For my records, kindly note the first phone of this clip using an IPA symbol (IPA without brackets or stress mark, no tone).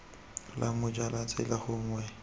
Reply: l